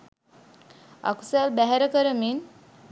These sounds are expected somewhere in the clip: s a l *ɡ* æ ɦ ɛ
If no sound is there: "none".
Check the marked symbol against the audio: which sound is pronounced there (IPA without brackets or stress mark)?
b